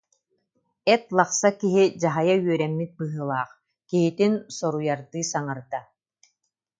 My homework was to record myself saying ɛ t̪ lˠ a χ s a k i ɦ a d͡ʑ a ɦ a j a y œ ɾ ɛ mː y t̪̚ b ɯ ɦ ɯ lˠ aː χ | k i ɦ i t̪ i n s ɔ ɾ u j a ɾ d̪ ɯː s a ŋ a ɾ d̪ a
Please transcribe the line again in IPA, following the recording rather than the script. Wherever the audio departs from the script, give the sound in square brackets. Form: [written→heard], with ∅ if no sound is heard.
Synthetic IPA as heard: ɛ t̪ lˠ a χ s a k i ɦ [a→i] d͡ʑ a ɦ a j a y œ ɾ ɛ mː [y→i] t̪̚ b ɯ ɦ ɯ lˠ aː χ | k i ɦ i t̪ i n s ɔ ɾ u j a ɾ d̪ ɯː s a ŋ a ɾ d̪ a